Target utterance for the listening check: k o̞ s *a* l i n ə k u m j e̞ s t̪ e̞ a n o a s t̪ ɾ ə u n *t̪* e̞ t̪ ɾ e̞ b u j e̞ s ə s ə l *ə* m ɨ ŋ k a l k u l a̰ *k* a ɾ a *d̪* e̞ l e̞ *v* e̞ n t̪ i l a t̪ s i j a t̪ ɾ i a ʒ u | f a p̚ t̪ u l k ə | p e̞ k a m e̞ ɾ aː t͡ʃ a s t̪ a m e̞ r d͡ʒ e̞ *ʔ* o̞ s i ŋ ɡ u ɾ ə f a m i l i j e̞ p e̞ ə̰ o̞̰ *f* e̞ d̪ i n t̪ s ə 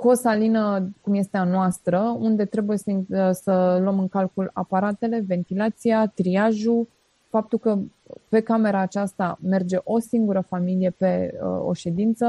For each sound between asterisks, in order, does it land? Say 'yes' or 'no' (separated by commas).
yes, no, yes, no, no, yes, yes, no